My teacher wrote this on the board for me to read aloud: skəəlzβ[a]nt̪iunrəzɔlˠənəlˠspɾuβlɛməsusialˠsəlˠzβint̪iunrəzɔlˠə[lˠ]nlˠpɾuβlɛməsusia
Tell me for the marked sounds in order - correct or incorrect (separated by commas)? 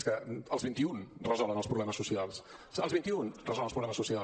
incorrect, incorrect